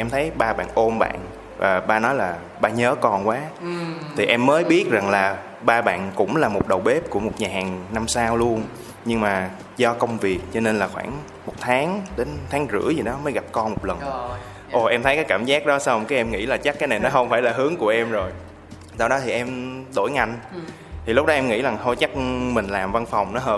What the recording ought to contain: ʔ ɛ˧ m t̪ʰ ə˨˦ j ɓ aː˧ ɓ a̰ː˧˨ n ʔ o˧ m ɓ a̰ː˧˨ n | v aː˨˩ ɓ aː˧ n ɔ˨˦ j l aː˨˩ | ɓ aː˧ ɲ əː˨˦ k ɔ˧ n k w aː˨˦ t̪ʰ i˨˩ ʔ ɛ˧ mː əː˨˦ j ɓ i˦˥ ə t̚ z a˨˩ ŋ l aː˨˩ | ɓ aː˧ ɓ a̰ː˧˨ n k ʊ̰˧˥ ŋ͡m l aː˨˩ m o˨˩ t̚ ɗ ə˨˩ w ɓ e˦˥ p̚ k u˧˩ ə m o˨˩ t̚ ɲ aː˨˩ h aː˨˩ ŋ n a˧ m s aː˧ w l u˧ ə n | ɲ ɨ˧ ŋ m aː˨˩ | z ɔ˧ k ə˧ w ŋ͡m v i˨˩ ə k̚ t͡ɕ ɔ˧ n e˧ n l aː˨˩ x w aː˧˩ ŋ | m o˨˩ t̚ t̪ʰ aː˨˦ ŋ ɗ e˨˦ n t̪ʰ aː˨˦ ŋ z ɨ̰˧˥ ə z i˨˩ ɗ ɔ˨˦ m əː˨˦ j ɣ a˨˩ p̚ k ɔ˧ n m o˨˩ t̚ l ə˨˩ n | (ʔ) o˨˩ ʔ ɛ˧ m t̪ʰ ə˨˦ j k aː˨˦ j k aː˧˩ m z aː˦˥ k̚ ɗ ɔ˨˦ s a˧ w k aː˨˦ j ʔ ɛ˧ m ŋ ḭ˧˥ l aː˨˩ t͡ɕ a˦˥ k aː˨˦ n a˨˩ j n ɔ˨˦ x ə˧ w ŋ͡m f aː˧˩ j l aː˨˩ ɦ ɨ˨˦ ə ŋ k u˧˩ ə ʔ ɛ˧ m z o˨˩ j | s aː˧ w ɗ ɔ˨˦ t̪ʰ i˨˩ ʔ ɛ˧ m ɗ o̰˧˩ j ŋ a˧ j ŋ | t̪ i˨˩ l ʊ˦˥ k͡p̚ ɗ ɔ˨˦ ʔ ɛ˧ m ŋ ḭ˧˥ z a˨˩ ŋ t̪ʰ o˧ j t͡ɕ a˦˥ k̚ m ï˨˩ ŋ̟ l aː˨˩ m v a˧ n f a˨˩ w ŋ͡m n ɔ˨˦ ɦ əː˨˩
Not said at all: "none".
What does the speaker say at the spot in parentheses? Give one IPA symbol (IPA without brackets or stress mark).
ʔ